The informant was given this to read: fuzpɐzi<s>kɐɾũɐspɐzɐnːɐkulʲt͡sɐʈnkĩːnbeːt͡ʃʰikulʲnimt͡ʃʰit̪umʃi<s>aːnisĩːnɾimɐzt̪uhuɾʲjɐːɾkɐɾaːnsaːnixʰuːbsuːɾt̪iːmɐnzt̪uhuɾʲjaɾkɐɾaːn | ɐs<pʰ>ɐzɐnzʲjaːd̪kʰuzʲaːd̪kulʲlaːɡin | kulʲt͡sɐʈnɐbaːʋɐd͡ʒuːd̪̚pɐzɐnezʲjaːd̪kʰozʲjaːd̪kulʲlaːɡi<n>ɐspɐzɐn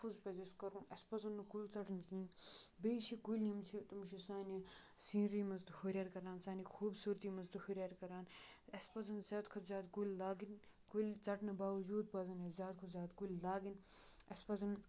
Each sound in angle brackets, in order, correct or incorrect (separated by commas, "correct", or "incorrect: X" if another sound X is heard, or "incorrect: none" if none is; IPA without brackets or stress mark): correct, correct, incorrect: p, correct